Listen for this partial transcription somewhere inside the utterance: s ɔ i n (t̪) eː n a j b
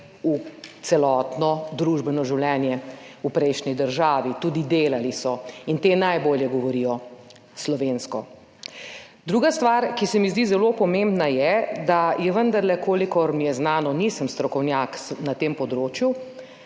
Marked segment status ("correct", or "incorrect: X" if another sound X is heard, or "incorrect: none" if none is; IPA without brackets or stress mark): correct